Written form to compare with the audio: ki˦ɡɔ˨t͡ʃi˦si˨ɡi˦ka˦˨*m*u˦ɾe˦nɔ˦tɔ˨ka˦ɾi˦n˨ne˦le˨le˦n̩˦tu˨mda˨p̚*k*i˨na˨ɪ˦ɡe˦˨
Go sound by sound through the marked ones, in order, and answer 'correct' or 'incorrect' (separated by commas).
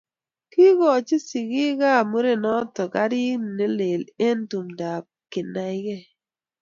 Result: correct, correct